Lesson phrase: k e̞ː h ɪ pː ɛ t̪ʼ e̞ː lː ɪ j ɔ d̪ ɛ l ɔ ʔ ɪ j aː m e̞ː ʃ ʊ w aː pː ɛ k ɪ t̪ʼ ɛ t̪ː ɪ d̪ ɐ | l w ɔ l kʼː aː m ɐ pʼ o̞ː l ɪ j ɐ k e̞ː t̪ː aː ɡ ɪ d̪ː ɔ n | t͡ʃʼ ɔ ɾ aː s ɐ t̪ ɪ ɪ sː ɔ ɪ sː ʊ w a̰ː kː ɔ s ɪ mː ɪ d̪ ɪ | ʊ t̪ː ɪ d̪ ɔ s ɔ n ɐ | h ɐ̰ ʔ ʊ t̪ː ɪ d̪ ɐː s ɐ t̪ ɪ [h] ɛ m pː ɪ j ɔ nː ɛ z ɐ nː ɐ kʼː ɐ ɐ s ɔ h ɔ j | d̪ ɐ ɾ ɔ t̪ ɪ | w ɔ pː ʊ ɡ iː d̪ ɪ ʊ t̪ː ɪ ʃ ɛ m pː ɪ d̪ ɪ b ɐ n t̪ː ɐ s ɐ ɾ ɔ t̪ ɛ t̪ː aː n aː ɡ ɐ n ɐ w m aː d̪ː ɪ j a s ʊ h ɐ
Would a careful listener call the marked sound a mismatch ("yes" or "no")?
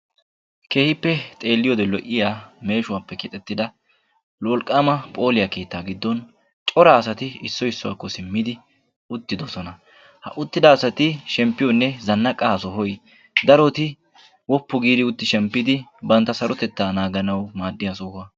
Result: yes